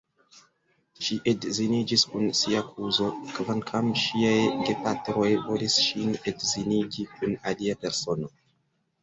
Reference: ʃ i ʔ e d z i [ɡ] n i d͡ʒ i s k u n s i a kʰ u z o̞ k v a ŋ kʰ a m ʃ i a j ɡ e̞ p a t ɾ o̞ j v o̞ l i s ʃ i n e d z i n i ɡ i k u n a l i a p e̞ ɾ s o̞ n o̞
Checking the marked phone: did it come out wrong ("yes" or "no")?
yes